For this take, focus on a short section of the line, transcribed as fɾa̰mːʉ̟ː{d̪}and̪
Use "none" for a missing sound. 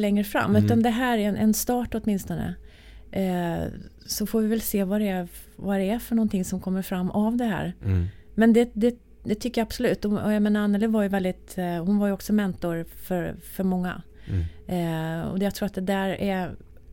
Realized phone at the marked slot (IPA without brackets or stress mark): t̪